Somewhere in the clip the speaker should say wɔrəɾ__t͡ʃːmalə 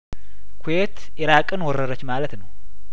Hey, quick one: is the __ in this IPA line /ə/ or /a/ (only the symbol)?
ə